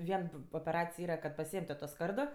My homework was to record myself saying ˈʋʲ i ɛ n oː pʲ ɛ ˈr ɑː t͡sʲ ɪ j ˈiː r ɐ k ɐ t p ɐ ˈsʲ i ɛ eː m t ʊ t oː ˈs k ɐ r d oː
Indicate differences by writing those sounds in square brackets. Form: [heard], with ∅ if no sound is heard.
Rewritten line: ˈʋʲ i ɛ n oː pʲ ɛ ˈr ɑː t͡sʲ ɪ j ˈiː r ɐ k ɐ t p ɐ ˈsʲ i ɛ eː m t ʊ t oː ˈs k ɐ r d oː